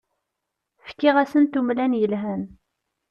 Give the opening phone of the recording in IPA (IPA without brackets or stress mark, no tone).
f